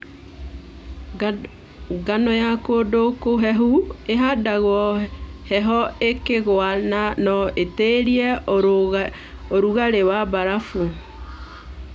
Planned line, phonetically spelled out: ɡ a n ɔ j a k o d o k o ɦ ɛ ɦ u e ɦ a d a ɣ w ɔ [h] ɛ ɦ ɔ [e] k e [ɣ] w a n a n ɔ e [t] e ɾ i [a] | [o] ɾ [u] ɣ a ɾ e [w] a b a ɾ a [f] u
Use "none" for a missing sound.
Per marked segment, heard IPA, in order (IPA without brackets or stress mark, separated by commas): h, e, ɣ, t, ɛ, o, u, w, f